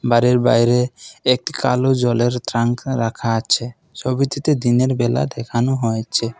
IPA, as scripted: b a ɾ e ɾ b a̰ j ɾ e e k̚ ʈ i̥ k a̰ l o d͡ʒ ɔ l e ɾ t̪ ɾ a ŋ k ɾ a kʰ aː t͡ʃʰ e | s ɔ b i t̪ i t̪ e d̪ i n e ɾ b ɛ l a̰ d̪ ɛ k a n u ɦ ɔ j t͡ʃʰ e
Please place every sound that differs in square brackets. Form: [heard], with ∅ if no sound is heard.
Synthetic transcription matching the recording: b a ɾ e ɾ b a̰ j ɾ e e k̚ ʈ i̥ k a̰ l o d͡ʒ ɔ l e ɾ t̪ ɾ a ŋ k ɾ a kʰ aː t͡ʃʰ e | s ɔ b i t̪ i t̪ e d̪ i n e ɾ b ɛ l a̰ d̪ ɛ [kʰ] a n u ɦ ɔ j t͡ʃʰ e